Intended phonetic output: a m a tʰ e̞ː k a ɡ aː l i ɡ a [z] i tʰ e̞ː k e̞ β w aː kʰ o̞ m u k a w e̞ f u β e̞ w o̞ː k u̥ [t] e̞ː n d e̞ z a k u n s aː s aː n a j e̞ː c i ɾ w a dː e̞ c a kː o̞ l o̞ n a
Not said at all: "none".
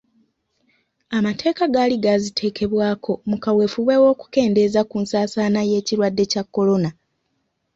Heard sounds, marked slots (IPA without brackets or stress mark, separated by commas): z, k